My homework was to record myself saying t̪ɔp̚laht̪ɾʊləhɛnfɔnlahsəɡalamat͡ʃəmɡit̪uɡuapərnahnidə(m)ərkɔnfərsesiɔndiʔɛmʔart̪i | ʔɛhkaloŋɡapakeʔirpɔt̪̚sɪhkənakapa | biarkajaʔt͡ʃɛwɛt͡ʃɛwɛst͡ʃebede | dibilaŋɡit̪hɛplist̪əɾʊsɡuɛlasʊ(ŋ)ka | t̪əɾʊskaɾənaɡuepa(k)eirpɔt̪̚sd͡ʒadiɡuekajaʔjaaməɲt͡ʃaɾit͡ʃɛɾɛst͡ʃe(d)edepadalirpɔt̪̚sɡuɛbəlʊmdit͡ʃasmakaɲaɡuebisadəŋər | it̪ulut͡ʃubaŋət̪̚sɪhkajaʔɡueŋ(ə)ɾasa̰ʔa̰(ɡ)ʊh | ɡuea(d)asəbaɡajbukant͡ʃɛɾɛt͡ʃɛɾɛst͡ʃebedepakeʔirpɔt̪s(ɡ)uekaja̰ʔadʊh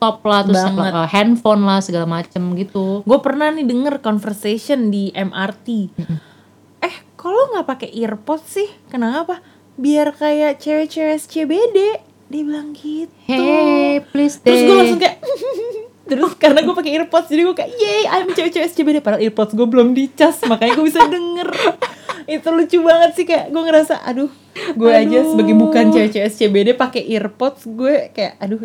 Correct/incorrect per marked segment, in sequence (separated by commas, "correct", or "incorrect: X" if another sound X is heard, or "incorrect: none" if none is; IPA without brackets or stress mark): incorrect: ŋ, correct, correct, incorrect: b, correct, incorrect: d, incorrect: d͡ʒ, correct